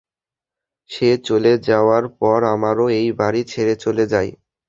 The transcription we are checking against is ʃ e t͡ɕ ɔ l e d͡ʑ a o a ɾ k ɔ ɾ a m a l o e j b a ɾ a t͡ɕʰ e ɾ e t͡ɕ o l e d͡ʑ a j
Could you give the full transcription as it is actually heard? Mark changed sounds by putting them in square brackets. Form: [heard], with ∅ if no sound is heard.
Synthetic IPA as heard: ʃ e t͡ɕ [o] l e d͡ʑ a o a ɾ [p] ɔ ɾ a m a [ɾ] o e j b a ɾ [i] t͡ɕʰ e ɾ e t͡ɕ o l e d͡ʑ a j